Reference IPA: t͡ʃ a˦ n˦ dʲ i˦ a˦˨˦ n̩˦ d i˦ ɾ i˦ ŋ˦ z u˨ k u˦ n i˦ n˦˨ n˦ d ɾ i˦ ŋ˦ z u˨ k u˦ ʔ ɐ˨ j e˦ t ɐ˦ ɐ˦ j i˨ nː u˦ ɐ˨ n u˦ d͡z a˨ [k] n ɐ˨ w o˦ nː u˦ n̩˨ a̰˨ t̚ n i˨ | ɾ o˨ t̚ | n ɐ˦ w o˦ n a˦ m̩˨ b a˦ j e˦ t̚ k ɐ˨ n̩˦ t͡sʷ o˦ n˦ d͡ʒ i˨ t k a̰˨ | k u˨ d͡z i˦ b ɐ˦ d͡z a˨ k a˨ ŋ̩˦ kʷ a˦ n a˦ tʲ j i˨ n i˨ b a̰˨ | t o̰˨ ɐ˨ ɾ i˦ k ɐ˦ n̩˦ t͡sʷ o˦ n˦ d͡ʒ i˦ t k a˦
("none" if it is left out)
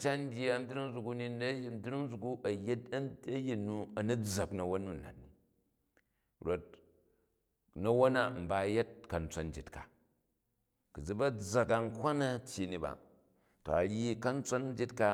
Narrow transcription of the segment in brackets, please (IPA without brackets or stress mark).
k